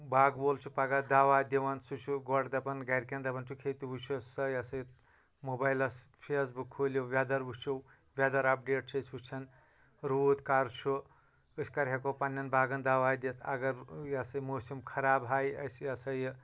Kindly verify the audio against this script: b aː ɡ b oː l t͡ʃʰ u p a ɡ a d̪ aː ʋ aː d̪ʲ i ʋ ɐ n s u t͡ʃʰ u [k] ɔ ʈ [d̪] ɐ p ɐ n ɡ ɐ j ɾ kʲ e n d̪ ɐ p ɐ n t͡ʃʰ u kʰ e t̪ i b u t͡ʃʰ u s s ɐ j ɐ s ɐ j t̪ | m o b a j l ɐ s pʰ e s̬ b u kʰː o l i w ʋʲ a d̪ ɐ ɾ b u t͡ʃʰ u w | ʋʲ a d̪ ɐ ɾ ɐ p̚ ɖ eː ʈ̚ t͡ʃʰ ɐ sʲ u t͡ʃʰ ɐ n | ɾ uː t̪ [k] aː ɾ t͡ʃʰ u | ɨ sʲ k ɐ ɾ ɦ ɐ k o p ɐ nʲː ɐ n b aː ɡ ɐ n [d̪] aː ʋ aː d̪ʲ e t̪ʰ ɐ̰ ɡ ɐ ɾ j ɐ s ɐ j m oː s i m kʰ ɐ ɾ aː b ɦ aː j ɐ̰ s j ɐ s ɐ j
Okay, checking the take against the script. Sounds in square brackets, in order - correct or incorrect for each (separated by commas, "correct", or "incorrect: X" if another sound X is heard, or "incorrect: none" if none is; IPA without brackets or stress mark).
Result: incorrect: ɡ, correct, correct, correct